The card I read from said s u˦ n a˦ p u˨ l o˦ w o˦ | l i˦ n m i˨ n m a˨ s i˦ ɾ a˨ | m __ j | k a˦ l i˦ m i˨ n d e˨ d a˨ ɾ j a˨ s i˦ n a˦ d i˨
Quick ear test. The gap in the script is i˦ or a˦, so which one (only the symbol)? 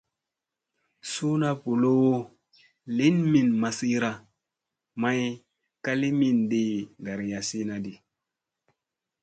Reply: a˦